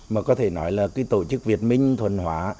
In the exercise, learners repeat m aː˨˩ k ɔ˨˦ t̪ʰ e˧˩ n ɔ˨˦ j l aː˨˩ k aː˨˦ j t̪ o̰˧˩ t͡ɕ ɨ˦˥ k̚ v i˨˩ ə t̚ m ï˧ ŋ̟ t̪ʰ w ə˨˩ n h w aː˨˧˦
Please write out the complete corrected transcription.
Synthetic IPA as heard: m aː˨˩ k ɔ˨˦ t̪ʰ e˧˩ n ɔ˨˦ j l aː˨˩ k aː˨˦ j t̪ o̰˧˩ t͡ɕ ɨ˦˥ k̚ v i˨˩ ə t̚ m ï˧ ŋ̟ t̪ʰ w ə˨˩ n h w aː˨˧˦